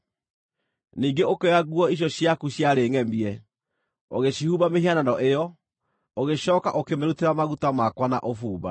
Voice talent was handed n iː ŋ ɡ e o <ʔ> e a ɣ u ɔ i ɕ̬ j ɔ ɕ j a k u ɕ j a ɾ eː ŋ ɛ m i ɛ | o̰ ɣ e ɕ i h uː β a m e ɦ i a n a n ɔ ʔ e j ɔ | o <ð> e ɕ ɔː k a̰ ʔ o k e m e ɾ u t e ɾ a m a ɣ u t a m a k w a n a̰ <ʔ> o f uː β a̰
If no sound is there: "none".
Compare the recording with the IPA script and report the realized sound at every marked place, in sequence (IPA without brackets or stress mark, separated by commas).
k, ɣ, ʔ